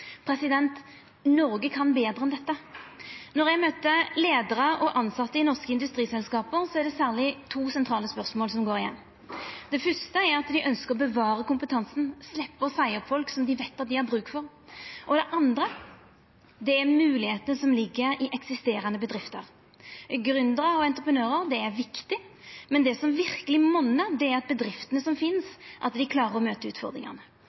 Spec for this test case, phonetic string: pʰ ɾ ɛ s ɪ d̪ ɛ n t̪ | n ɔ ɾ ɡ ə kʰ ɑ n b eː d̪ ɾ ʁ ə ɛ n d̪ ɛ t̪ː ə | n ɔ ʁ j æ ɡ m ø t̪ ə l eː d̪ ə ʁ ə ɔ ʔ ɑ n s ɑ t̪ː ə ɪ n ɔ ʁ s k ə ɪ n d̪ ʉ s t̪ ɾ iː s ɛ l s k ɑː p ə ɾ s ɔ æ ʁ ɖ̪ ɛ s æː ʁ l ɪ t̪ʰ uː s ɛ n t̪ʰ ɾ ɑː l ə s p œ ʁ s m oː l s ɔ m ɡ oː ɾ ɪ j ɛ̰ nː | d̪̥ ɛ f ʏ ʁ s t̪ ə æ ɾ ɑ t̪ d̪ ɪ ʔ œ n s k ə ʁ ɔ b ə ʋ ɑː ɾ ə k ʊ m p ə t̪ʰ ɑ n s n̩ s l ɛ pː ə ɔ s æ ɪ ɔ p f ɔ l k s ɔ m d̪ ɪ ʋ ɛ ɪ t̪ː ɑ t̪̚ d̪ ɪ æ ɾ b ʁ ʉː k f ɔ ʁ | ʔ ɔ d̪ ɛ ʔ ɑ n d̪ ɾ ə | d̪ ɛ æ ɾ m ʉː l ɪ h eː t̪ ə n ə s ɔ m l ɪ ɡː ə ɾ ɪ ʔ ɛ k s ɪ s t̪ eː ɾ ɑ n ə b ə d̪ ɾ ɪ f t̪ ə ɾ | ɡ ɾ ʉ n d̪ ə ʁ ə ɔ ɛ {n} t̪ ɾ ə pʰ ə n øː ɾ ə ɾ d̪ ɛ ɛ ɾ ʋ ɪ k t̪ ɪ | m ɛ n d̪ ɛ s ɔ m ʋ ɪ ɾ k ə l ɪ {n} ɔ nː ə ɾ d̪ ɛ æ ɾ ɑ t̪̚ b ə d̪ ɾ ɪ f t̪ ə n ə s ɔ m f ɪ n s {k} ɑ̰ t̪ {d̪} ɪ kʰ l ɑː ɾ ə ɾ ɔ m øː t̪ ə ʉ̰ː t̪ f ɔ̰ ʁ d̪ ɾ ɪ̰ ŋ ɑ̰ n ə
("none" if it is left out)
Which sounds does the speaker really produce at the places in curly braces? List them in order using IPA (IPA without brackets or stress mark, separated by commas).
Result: n, m, ʔ, d̪